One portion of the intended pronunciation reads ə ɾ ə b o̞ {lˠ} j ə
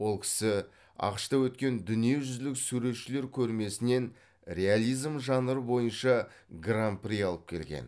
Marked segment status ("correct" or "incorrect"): incorrect